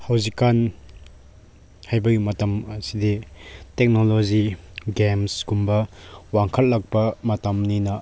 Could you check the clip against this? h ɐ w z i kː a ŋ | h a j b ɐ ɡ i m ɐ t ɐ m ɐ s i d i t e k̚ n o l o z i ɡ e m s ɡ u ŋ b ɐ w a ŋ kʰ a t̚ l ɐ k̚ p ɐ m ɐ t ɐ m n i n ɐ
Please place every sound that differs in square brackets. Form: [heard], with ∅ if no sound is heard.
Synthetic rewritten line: h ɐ w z i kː a [n] | h a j b ɐ ɡ i m ɐ t ɐ m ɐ s i d i t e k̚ n o l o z i ɡ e m s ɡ u [m] b ɐ w a ŋ kʰ [ɐ] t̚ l ɐ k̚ p ɐ m ɐ t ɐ m n i n ɐ